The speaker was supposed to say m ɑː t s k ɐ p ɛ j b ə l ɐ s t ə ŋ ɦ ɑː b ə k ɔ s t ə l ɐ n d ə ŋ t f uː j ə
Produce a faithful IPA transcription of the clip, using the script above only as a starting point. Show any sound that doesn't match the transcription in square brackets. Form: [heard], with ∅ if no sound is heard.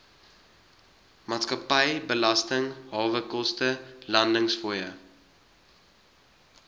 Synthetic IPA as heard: m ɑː t s k ɐ p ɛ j b ə l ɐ s t ə ŋ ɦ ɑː [v] ə k ɔ s t ə l ɐ n d ə ŋ [s] f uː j ə